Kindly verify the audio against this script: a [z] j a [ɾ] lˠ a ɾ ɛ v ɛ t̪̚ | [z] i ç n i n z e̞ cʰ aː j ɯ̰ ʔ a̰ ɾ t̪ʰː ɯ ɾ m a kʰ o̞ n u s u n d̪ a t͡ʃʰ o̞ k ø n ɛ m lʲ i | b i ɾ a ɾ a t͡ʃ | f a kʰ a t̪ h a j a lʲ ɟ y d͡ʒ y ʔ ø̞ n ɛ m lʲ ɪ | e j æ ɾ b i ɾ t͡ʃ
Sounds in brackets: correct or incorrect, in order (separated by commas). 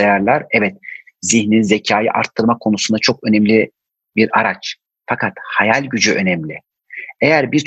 incorrect, correct, correct